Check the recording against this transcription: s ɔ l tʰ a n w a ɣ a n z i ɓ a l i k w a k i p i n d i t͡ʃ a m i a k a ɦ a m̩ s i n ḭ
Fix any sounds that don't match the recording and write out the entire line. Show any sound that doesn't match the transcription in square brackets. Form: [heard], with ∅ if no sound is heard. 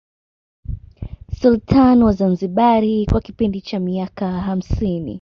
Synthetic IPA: s [u] l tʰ a n w a [z] a n z i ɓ a [ɾ] i k w a k i p i n d i t͡ʃ a m i a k a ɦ a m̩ s i n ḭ